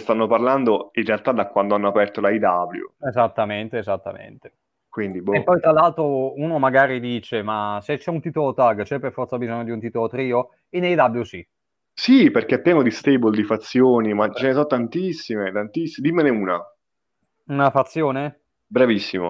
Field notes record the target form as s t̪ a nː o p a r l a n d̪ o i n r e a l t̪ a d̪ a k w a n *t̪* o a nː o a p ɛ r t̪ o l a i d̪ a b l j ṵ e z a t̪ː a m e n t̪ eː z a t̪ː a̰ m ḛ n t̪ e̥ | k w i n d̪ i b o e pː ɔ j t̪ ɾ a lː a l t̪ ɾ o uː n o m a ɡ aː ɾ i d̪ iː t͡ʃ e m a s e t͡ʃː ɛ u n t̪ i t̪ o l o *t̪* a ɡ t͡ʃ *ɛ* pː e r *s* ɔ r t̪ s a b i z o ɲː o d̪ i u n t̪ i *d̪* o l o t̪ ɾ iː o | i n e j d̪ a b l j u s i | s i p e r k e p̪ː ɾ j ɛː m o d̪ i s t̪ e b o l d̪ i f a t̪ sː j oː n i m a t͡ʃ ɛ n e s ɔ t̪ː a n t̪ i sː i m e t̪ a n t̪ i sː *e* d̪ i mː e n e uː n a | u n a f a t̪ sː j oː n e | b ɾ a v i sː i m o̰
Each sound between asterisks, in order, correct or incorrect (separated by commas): incorrect, correct, correct, incorrect, incorrect, incorrect